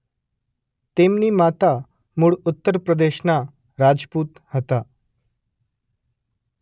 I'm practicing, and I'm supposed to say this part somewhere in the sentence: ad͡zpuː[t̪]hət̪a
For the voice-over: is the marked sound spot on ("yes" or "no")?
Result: yes